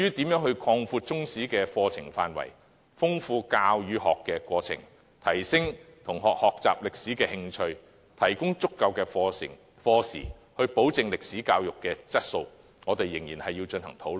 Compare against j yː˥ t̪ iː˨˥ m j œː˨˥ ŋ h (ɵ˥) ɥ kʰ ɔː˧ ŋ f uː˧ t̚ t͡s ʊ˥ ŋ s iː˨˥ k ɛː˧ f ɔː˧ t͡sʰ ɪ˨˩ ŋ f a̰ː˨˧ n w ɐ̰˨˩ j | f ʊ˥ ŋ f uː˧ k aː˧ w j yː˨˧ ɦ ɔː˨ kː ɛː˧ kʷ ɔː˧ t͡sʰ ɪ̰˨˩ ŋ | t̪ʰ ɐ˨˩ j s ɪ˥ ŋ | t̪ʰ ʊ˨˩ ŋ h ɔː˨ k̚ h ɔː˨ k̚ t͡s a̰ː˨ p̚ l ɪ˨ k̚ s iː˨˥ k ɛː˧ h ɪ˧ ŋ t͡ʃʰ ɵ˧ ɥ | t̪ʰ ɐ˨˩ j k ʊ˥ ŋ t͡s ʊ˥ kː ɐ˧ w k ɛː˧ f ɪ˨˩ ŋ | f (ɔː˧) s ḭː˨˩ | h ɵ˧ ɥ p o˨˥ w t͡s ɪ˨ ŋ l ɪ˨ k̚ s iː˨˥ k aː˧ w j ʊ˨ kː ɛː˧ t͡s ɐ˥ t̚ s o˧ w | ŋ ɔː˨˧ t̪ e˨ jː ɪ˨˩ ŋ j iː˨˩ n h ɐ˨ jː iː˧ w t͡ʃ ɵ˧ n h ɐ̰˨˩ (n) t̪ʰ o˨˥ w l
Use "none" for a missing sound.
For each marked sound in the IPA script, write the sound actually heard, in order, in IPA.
ɵ˧, ɔː˧, ŋ

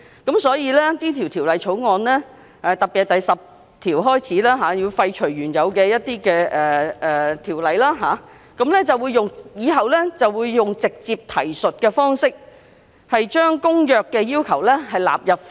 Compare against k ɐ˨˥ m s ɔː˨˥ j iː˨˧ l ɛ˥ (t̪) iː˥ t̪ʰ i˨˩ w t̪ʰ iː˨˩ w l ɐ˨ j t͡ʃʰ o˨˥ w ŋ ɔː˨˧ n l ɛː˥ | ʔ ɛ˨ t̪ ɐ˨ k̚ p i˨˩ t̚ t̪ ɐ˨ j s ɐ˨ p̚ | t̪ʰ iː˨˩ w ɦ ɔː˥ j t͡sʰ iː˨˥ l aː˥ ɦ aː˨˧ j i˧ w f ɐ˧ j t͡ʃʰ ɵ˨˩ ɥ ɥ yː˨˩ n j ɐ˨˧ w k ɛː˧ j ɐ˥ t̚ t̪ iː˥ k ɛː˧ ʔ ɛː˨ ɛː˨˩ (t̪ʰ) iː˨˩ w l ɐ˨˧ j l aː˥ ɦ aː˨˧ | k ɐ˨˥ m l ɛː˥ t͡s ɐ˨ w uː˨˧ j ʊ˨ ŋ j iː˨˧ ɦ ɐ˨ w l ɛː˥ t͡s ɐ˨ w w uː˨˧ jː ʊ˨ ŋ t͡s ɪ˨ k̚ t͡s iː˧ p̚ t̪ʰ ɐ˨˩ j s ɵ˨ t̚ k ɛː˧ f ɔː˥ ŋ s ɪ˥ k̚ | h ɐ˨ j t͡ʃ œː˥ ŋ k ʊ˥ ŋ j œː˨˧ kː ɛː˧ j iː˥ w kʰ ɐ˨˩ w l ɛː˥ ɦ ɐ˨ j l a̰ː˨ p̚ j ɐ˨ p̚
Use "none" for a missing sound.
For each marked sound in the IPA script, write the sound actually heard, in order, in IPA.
t̪, t̪ʰ

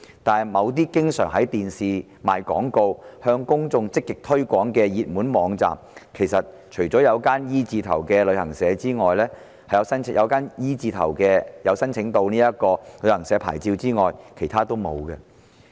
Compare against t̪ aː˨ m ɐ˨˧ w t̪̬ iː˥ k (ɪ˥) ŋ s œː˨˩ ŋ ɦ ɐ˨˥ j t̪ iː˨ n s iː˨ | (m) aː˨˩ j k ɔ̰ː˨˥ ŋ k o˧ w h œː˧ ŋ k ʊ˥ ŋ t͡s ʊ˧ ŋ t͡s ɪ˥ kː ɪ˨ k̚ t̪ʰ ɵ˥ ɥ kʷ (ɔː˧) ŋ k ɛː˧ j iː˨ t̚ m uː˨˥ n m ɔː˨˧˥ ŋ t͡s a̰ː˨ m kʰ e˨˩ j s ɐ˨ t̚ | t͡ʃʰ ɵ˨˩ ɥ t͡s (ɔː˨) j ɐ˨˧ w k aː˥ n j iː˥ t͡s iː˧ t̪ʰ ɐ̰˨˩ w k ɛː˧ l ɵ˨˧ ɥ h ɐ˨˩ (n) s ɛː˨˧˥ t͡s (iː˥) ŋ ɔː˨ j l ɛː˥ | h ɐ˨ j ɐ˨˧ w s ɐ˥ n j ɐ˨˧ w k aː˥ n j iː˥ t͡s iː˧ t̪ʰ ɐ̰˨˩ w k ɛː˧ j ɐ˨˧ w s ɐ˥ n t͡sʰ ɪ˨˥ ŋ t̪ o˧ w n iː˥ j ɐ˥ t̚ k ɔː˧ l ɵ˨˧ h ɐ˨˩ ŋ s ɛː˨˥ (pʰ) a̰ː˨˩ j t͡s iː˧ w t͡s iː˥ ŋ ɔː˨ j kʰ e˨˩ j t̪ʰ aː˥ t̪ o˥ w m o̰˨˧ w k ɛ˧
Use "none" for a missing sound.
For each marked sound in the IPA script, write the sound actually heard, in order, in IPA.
ɪ˥, m, ɔː˨˥, ɔː˨˥, ŋ, iː˥, pʰ

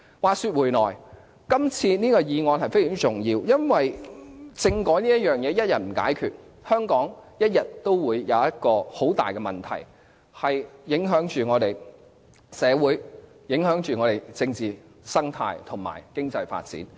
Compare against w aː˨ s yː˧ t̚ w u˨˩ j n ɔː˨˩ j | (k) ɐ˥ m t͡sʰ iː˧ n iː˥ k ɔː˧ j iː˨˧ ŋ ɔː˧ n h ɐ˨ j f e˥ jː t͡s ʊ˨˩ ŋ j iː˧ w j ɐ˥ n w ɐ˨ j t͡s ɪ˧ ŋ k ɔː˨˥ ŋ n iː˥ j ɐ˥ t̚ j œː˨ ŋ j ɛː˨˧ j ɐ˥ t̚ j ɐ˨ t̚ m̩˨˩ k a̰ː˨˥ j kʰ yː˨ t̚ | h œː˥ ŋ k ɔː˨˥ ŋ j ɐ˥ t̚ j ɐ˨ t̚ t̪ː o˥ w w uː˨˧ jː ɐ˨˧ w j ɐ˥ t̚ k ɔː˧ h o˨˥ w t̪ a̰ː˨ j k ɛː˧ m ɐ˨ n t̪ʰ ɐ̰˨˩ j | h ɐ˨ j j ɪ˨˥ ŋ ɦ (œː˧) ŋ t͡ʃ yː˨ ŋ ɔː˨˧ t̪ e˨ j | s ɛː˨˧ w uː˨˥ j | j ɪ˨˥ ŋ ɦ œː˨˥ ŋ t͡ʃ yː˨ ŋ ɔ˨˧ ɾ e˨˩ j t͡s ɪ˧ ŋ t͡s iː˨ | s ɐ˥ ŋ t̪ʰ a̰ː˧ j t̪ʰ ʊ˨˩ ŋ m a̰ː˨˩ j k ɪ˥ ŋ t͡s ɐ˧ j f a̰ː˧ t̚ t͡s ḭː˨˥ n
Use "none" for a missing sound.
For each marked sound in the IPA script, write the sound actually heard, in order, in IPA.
k, œː˨˥

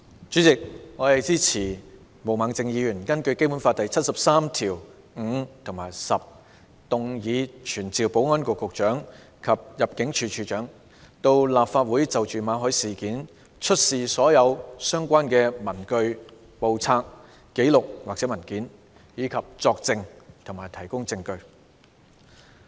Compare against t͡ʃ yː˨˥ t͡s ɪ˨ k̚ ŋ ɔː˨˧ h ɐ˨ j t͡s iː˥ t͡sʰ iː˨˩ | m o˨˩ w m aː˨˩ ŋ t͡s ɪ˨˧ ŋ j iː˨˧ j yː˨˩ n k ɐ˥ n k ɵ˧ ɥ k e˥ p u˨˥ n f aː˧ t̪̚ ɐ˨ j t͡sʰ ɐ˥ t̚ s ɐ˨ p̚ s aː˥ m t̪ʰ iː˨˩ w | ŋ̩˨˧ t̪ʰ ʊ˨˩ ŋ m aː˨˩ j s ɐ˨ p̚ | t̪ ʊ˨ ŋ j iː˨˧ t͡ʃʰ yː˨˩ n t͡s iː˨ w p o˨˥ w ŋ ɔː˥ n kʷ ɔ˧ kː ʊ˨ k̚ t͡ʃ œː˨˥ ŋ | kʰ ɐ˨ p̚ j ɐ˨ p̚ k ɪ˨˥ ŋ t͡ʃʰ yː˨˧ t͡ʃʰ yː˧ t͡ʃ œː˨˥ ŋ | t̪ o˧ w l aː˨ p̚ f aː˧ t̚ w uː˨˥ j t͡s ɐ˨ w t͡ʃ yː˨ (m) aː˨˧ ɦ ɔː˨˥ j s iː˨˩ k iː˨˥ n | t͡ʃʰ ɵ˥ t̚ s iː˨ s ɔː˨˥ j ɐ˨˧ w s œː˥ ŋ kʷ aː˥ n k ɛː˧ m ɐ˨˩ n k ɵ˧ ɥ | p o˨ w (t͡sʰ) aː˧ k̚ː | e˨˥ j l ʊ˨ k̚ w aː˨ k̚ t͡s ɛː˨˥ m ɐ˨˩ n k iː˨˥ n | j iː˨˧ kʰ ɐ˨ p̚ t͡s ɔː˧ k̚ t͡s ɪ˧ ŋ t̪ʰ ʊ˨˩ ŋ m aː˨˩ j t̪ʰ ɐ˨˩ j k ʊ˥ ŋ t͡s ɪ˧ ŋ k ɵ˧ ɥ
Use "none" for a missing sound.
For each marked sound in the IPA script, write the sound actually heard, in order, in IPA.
m, t͡sʰ

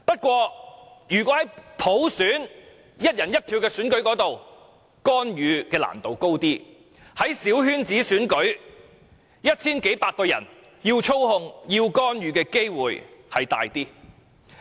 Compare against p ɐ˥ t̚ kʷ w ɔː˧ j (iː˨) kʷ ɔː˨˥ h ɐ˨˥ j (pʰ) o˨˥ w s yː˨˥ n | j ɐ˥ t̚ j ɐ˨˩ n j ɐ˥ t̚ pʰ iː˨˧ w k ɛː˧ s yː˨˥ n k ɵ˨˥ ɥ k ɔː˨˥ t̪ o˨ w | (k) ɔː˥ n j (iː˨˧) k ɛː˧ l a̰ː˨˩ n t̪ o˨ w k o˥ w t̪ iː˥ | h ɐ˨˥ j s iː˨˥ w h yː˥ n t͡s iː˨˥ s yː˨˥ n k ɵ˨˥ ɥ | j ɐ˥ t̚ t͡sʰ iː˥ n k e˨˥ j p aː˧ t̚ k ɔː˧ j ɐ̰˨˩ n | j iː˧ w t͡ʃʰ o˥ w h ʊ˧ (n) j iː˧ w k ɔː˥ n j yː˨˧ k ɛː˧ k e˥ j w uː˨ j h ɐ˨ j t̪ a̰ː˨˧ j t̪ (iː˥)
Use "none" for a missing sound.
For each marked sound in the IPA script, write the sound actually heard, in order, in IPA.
yː˨, pʰ, k, yː˨˧, ŋ, iː˥

